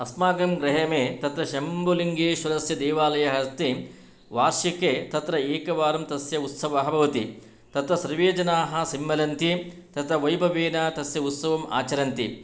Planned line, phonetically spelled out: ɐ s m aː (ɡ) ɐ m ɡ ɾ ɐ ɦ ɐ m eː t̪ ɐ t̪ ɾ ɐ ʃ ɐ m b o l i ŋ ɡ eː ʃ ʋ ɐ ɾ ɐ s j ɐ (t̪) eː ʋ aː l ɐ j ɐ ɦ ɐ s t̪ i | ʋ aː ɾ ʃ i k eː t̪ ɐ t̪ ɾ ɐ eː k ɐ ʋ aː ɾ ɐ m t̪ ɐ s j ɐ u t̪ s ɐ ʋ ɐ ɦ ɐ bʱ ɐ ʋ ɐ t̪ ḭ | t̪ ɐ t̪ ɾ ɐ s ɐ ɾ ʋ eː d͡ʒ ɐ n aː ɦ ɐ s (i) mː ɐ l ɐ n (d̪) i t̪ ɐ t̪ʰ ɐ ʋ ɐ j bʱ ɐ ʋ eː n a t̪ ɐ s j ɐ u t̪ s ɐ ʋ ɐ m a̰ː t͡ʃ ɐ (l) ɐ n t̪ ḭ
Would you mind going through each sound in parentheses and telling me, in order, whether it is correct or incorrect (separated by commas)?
correct, incorrect, correct, incorrect, incorrect